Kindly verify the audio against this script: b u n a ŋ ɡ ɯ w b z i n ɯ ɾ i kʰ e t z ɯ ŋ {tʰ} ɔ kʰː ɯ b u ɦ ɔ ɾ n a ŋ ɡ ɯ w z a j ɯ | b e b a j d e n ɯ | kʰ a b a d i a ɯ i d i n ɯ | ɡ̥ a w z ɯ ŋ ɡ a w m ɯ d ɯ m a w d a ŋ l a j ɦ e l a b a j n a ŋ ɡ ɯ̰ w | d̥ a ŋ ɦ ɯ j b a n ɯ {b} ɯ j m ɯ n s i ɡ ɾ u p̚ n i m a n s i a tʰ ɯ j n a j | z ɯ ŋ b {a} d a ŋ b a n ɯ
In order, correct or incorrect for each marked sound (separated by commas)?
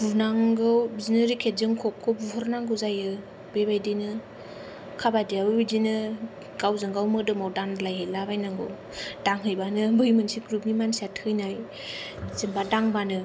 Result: incorrect, correct, correct